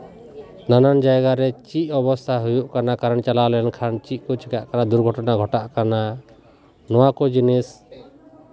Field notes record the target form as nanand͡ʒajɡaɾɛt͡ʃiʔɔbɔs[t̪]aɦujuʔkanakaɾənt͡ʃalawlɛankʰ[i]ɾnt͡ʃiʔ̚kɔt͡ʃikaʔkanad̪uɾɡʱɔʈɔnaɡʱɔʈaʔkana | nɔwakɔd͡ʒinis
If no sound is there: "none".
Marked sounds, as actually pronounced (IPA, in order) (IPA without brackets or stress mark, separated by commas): t̪ʰ, a